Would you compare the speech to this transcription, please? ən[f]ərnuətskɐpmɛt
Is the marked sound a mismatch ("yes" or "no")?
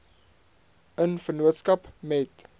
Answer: no